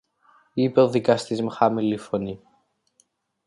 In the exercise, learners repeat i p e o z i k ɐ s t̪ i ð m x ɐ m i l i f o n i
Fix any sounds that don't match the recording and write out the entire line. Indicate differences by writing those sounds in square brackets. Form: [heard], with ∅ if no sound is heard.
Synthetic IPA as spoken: i p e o [ð] i k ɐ s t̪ i [z] m x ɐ m i l i f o n i

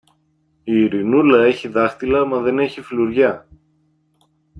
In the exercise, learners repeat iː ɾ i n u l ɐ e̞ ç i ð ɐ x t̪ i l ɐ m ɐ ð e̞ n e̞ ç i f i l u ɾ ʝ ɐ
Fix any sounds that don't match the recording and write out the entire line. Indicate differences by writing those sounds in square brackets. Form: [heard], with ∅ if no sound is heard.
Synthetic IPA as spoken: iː ɾ i n u l ɐ e̞ ç i ð ɐ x t̪ i l ɐ m ɐ ð e̞ n e̞ ç i f i l u ɾ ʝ ɐ

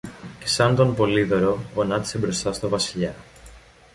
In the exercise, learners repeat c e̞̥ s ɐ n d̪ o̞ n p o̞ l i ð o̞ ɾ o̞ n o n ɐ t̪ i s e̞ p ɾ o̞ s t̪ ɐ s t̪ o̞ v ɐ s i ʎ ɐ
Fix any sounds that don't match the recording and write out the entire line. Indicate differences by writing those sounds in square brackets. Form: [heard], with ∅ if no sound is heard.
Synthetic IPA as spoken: c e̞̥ s ɐ n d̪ o̞ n p o̞ l i ð o̞ ɾ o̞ [∅] o n ɐ t̪ i s e̞ [b] ɾ o̞ s t̪ ɐ s t̪ o̞ v ɐ s i ʎ ɐ

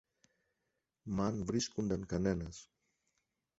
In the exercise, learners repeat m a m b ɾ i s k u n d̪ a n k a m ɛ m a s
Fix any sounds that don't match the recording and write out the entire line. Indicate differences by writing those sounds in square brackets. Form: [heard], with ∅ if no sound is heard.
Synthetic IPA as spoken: m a [n] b ɾ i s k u n d̪ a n k a [n] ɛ [n] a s

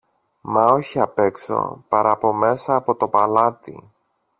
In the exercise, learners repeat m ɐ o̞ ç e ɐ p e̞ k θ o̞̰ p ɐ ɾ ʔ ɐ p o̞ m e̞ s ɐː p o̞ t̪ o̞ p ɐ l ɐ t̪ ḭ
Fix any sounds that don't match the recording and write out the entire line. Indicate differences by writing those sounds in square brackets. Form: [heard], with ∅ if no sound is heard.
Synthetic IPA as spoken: m ɐ o̞ ç [i] ɐ p e̞ k [s] o̞̰ p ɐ ɾ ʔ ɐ p o̞ m e̞ s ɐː p o̞ t̪ o̞ p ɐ l ɐ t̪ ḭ

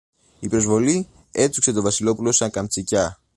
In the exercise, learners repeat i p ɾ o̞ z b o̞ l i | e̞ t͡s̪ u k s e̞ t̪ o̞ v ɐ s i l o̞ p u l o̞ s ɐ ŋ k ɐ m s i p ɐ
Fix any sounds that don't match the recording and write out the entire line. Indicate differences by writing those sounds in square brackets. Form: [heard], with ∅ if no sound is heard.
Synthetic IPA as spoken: i p ɾ o̞ z [v] o̞ l i | e̞ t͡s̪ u k s e̞ t̪ o̞ v ɐ s i l o̞ p u l o̞ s ɐ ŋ k ɐ m [t͡s] i [c] ɐ

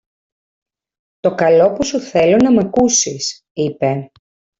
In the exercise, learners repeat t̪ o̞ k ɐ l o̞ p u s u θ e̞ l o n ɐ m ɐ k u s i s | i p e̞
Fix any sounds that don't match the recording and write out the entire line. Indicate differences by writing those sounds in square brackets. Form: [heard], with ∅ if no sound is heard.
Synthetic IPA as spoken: t̪ o̞ k ɐ l o̞ p u s u θ e̞ l o n ɐ m ɐ k u s i s | i p e̞

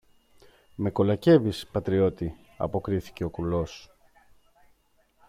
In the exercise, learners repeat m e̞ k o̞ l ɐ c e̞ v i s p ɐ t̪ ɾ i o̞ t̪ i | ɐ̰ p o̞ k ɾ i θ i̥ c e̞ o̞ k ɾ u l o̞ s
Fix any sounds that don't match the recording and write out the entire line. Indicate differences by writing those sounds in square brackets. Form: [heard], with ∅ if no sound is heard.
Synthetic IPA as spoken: m e̞ k o̞ l ɐ c e̞ v i s p ɐ t̪ ɾ i o̞ t̪ i | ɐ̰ p o̞ k ɾ i θ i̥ c e̞ o̞ k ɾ u l o̞ s

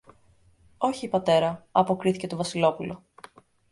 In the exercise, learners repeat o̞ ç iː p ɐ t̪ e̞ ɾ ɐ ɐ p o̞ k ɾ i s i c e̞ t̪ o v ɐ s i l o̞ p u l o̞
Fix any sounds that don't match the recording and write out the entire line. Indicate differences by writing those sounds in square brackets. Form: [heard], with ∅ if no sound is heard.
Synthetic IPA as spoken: o̞ ç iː p ɐ t̪ e̞ ɾ ɐ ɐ p o̞ k ɾ i [θ] i c e̞ t̪ o v ɐ s i l o̞ p u l o̞

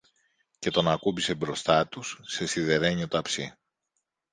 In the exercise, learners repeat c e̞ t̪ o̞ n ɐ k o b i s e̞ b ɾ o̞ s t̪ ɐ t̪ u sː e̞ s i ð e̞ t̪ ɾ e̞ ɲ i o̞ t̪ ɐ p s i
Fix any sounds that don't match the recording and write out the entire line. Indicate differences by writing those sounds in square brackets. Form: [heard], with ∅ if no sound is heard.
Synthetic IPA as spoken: c e̞ t̪ o̞ n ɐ k [u] b i s e̞ b ɾ o̞ s t̪ ɐ t̪ u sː e̞ s i ð e̞ [∅] ɾ e̞ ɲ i o̞ t̪ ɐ p s i

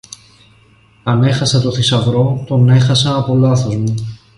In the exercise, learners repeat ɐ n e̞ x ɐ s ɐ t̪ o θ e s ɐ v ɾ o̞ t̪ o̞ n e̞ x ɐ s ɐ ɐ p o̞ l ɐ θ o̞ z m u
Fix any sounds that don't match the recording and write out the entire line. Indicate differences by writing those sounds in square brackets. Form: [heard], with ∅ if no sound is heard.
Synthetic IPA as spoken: ɐ n e̞ x ɐ s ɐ t̪ o θ [i] s ɐ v ɾ o̞ t̪ o̞ n e̞ x ɐ s ɐ ɐ p o̞ l ɐ θ o̞ z m u

